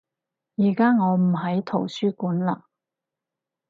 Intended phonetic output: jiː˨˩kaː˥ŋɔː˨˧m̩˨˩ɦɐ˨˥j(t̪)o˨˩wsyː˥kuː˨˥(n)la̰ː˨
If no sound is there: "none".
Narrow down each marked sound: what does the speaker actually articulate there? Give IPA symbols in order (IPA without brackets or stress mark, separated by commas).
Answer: t̪ʰ, n